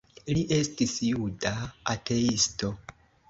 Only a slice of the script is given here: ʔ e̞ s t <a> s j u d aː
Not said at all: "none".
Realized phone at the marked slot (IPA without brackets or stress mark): i